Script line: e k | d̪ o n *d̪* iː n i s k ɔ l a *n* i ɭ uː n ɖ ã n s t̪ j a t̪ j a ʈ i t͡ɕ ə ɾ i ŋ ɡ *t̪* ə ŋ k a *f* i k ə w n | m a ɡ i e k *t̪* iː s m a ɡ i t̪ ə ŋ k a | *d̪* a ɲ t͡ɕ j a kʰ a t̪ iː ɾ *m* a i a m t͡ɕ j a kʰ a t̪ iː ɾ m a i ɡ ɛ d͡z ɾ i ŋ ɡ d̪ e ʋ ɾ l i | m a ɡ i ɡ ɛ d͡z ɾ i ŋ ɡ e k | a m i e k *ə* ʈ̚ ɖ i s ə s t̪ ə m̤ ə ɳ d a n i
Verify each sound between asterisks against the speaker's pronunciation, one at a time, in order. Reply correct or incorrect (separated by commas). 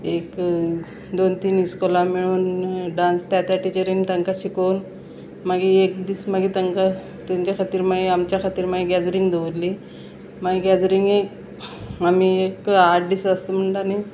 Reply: incorrect, incorrect, correct, incorrect, incorrect, incorrect, correct, incorrect